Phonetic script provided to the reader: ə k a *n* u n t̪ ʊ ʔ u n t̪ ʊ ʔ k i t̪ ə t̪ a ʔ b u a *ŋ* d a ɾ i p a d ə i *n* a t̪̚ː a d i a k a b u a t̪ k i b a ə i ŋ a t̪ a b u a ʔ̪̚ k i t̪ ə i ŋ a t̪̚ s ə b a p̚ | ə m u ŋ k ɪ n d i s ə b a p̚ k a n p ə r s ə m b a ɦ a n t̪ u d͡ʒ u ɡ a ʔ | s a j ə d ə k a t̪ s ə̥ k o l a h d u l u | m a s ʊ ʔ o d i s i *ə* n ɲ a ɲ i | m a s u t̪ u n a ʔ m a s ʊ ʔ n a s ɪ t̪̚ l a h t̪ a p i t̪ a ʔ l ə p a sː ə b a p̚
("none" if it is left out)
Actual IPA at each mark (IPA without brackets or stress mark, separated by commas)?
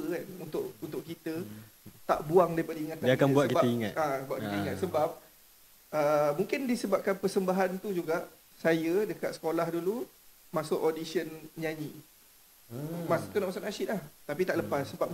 n, ŋ, ŋ, ə